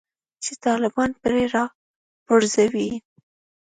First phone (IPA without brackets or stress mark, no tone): t͡ʃ